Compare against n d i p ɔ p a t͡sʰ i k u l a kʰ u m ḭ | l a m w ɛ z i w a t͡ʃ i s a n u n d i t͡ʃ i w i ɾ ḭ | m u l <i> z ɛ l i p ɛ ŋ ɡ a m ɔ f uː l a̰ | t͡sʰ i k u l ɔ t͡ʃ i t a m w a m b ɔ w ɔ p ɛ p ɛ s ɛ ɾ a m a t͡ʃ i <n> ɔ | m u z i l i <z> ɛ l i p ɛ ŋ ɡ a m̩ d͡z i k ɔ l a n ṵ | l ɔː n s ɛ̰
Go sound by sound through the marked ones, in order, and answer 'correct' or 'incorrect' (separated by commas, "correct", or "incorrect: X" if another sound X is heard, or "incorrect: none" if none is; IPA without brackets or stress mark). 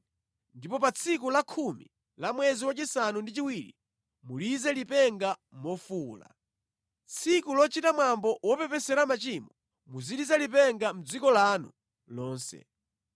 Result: correct, incorrect: m, correct